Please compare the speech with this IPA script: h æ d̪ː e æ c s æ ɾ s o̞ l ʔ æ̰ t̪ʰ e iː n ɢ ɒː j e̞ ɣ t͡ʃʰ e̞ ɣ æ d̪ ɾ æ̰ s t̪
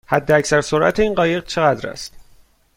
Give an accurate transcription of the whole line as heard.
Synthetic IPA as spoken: h æ d̪ː e æ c s æ ɾ s o̞ ɾ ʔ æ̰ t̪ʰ e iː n ɢ ɒː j e̞ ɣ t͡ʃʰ e̞ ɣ æ d̪ ɾ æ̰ s t̪